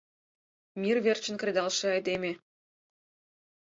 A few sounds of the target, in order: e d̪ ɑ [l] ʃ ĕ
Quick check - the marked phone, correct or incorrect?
correct